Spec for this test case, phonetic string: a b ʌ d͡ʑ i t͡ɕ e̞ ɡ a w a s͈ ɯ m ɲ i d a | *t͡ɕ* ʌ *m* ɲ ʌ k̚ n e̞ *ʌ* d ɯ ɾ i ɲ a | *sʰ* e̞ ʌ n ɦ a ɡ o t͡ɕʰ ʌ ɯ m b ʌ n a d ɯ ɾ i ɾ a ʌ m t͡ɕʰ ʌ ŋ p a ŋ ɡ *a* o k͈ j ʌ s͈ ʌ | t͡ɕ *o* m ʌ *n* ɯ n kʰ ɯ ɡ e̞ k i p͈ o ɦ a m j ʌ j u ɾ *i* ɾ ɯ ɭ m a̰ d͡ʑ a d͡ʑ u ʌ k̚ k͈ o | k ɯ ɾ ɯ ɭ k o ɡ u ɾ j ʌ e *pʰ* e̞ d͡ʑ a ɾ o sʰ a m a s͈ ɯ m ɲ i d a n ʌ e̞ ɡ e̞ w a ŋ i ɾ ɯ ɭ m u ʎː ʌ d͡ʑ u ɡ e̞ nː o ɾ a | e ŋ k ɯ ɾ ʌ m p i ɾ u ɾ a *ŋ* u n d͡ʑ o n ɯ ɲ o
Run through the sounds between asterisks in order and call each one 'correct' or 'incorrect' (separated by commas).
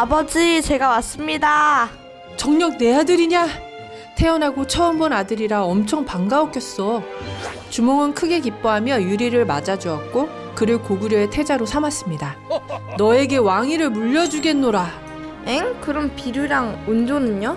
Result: correct, incorrect, incorrect, incorrect, correct, incorrect, incorrect, correct, incorrect, correct